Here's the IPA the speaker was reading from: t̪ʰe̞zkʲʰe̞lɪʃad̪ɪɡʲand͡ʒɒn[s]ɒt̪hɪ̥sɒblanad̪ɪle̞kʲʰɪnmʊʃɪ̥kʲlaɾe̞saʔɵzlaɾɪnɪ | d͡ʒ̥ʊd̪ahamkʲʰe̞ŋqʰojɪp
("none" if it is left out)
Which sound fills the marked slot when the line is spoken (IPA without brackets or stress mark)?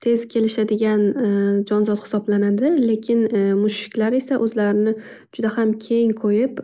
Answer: z